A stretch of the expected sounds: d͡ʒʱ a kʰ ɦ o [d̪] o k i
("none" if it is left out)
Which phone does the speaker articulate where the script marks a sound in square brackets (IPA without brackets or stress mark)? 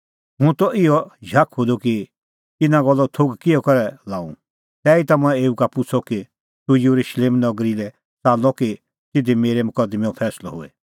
d̪